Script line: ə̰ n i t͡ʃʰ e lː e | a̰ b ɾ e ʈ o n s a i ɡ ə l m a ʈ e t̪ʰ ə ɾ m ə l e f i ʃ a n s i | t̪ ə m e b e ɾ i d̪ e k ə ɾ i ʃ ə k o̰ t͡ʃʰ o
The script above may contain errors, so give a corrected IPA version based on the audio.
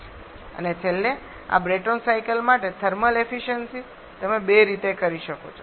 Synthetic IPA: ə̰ n e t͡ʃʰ e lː e | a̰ b ɾ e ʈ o n s a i k ə l m a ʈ e t̪ʰ ə ɾ m ə l e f i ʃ ə n s i | t̪ ə m e b e ɾ i t̪ e k ə ɾ i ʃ ə k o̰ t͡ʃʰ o